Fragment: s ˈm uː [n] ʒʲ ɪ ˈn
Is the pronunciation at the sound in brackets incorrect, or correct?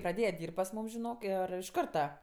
incorrect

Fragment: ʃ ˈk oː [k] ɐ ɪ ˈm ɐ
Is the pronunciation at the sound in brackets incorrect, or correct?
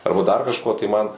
incorrect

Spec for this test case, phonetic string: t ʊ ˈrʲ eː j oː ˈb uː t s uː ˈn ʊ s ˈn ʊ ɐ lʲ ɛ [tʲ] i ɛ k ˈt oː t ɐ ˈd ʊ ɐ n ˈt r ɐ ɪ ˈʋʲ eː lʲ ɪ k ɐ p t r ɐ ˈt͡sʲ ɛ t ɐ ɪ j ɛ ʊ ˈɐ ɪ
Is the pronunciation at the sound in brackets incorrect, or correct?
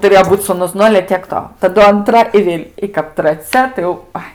correct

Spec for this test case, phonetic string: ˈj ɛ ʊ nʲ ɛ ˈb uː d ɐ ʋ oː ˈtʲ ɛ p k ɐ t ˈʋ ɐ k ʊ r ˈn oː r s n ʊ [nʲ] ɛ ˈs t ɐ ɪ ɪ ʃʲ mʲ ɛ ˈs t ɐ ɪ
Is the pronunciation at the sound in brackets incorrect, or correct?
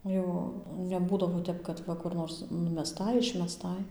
incorrect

